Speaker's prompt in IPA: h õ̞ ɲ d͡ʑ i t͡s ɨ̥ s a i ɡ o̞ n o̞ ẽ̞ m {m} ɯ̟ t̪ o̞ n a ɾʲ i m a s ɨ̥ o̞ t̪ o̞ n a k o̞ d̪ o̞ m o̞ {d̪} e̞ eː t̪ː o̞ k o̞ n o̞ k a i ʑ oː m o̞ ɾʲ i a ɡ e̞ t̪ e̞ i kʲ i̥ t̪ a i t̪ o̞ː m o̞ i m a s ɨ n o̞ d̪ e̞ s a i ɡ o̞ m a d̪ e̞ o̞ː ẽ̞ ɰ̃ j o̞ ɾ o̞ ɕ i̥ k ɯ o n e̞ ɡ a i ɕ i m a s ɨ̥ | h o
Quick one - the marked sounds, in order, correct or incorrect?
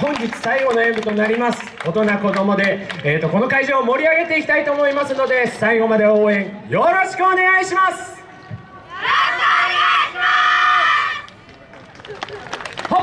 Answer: incorrect: b, correct

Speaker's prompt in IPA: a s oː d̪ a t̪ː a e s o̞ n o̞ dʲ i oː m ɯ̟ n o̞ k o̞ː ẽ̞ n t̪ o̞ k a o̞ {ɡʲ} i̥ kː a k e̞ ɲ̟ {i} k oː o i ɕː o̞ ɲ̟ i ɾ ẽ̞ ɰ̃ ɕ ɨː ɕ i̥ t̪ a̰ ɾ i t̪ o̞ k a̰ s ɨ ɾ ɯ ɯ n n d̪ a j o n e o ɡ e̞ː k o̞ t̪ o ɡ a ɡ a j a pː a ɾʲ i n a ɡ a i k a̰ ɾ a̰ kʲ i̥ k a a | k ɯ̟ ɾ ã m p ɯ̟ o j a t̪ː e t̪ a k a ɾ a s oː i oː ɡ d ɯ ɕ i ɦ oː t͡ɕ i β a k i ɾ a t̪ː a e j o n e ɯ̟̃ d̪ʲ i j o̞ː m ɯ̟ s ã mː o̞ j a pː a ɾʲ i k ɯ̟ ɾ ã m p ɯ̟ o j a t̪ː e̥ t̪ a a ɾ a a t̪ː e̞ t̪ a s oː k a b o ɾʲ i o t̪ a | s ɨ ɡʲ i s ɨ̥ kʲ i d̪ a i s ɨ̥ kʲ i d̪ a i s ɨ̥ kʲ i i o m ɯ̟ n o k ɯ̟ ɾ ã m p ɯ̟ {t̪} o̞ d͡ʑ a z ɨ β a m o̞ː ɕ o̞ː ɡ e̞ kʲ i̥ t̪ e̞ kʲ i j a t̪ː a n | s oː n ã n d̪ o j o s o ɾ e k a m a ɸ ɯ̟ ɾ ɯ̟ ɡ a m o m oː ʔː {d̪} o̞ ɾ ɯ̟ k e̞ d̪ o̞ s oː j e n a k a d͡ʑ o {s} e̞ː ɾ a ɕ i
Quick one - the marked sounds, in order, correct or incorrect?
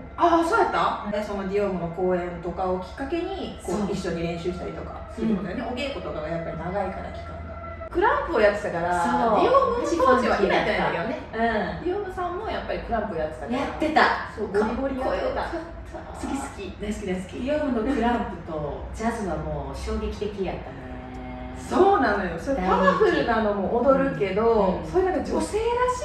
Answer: incorrect: kʲ, correct, correct, correct, correct

